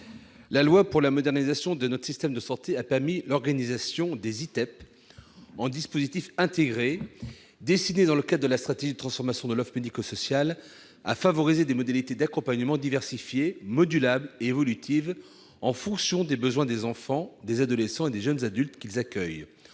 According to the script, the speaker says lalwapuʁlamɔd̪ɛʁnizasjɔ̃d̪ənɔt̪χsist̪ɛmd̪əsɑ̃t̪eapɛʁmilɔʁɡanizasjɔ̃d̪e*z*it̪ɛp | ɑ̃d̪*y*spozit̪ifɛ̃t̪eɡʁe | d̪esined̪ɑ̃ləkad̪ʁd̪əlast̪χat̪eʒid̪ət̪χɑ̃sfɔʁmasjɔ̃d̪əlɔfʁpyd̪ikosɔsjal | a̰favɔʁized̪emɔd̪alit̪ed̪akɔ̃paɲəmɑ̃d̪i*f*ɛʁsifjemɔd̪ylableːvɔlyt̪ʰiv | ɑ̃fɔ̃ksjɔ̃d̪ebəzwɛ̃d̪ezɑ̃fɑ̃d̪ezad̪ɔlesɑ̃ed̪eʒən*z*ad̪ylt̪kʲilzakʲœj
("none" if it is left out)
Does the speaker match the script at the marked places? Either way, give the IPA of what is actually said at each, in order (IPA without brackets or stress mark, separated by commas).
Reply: z, i, v, z